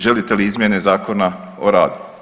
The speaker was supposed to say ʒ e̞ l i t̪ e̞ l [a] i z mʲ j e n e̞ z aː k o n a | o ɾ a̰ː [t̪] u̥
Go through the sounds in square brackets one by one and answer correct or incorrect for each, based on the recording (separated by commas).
incorrect, incorrect